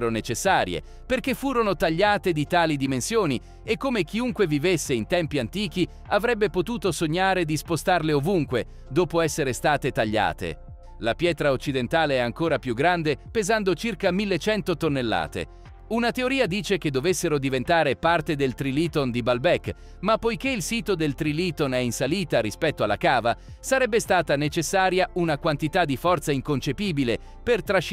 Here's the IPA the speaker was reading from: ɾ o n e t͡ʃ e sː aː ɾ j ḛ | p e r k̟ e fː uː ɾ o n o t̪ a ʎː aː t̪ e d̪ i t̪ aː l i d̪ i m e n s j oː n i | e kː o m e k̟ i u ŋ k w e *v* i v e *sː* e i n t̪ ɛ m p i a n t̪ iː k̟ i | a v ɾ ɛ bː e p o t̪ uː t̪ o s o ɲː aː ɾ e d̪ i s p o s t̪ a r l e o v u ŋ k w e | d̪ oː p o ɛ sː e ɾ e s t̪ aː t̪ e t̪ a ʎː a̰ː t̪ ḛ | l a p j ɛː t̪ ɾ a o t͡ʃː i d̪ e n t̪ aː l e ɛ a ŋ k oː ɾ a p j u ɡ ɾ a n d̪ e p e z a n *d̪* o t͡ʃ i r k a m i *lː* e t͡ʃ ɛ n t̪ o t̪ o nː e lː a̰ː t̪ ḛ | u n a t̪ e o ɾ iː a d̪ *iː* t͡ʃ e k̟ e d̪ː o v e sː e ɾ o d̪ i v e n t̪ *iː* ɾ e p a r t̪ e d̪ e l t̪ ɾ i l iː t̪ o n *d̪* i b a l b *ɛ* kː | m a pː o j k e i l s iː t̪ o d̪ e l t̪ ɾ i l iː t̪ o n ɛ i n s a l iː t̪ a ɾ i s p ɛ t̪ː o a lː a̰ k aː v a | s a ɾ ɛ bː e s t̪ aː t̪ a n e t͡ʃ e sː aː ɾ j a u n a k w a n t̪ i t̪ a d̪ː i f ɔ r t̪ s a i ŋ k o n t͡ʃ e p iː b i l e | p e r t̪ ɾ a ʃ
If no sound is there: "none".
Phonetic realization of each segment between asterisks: v, sː, d̪, lː, iː, aː, d̪, ɛ

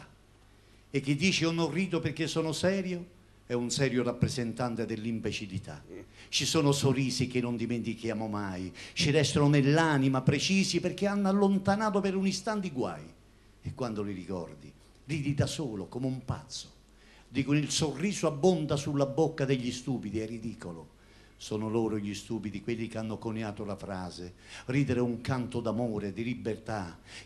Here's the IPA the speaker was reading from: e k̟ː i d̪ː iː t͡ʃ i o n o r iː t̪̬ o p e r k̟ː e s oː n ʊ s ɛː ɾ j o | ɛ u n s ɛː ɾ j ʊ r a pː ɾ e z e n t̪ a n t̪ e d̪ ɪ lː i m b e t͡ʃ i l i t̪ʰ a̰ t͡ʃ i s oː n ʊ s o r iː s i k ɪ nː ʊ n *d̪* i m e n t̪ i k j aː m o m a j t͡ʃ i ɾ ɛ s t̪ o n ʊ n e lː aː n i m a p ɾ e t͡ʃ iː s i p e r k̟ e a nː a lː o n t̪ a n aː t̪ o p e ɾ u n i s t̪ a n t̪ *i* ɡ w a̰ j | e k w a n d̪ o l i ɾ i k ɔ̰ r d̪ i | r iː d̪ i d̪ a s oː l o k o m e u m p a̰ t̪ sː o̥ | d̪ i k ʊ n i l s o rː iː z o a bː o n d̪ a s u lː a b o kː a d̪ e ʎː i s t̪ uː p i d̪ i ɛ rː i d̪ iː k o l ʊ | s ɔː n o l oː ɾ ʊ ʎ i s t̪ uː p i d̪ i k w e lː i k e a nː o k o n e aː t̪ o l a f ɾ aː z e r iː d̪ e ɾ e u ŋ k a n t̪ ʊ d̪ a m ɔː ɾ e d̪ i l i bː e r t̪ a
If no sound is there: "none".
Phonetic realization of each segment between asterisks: d̪, i

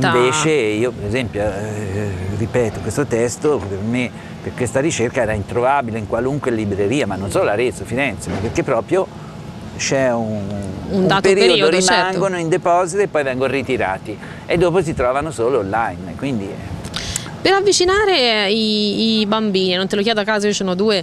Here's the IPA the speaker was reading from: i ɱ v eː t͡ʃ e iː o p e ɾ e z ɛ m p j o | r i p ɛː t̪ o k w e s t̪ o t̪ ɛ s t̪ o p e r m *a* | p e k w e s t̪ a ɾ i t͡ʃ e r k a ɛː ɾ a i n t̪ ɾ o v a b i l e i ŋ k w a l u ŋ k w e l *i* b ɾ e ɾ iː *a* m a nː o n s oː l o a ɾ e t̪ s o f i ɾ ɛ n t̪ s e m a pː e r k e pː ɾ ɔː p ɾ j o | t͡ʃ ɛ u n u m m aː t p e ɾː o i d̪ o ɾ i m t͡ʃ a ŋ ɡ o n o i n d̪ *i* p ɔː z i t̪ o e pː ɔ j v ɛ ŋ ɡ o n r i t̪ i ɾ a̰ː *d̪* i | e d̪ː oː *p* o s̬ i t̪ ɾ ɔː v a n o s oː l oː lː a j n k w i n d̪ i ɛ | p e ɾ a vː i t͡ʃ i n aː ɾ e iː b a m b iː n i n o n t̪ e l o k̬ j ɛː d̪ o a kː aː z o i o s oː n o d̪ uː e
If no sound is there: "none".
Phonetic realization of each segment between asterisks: e, i, a, e, t̪, p

